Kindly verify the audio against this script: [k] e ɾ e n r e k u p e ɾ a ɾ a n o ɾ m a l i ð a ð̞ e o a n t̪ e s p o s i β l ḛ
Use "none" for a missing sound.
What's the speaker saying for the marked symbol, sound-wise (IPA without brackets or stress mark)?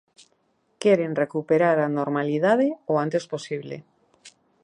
k